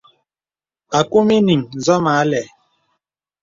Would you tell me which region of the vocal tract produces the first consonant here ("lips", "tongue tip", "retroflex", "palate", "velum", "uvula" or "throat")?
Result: velum